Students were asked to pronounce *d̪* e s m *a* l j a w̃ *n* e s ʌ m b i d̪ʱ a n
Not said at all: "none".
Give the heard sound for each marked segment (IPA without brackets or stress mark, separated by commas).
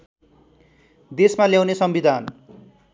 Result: d̪, a, n